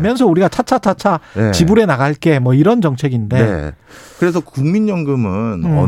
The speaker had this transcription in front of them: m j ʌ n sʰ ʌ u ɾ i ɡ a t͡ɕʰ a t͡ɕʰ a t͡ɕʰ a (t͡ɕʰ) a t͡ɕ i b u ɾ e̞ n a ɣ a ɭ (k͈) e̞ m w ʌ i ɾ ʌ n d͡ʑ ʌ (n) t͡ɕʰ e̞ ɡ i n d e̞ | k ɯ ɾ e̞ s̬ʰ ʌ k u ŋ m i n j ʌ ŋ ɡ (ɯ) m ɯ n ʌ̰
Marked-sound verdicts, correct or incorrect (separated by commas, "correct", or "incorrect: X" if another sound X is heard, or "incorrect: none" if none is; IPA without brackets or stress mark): correct, correct, incorrect: ŋ, correct